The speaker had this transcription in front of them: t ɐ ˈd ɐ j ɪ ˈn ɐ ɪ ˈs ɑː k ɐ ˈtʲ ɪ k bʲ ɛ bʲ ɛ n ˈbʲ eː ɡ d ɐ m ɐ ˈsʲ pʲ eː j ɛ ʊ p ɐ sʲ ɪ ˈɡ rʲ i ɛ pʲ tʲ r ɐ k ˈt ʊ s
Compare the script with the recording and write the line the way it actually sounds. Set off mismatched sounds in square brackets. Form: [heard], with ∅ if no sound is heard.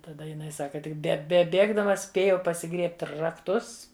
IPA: t ɐ ˈd ɐ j ɪ ˈn ɐ ɪ ˈs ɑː k ɐ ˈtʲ ɪ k bʲ ɛ bʲ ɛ [∅] ˈbʲ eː ɡ d ɐ m ɐ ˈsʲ pʲ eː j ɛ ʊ p ɐ sʲ ɪ ˈɡ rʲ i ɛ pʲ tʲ r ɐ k ˈt ʊ s